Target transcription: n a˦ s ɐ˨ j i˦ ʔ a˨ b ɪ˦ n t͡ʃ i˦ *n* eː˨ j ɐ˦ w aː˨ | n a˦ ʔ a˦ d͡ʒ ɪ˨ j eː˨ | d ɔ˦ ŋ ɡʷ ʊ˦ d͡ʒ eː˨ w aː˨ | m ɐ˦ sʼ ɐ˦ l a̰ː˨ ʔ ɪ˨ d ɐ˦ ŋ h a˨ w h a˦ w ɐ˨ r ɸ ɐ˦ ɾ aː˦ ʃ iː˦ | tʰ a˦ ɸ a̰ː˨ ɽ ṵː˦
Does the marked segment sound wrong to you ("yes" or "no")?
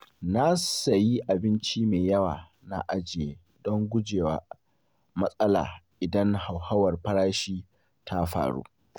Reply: yes